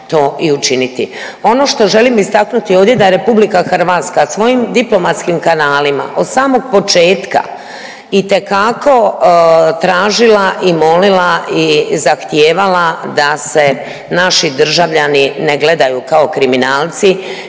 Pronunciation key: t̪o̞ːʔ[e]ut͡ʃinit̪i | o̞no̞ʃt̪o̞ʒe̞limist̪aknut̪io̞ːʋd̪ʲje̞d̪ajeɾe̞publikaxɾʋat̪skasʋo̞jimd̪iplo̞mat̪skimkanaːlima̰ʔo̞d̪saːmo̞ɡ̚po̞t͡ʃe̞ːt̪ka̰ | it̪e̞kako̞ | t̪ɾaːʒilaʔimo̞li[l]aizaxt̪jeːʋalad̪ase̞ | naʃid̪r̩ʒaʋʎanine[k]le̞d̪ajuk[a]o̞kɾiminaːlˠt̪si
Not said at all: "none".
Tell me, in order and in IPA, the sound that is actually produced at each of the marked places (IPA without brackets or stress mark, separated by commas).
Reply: i, l, ɡ, a